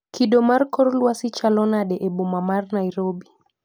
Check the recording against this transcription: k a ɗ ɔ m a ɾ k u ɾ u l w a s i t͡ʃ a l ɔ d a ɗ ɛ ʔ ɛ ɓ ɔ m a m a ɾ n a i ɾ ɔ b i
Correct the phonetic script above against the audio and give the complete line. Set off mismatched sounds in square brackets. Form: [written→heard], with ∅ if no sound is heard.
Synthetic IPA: k [a→i] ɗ ɔ m a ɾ k [u→ɔ] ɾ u l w a s i t͡ʃ a l ɔ [d→n] a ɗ ɛ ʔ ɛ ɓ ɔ m a m a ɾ n a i ɾ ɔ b i